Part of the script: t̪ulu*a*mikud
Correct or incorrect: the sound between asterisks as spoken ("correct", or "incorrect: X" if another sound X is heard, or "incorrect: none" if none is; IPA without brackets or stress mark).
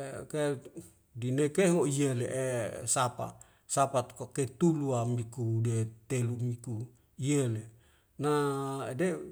correct